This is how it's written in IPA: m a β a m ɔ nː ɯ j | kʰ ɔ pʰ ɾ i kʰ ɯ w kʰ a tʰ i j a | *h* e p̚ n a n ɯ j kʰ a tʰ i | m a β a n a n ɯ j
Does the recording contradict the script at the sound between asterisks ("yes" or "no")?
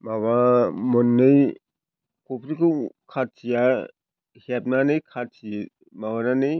no